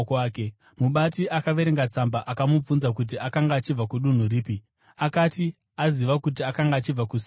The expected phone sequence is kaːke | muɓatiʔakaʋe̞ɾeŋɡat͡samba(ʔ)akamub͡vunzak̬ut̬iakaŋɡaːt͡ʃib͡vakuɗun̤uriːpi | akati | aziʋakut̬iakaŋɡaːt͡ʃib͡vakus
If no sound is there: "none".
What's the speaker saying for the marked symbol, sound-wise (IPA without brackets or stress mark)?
ʔ